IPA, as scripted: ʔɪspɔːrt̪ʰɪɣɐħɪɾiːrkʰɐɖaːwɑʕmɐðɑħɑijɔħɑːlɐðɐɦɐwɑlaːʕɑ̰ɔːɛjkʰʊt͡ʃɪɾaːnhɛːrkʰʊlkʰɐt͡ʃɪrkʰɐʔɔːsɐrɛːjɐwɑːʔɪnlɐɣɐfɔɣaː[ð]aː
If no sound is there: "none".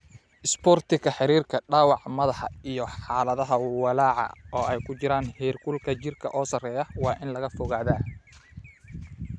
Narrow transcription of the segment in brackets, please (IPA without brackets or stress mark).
ð